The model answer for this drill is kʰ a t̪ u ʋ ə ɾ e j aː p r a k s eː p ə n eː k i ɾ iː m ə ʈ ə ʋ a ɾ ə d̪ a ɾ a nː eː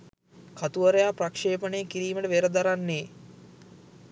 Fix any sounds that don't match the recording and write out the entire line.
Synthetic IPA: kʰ a t̪ u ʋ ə ɾ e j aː p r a k ʂ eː p ə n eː k i ɾ iː m ə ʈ ə ʋ e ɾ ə d̪ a ɾ a nː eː